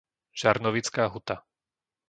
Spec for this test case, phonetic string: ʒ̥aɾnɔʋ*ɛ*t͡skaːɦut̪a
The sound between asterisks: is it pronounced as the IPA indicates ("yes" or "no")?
no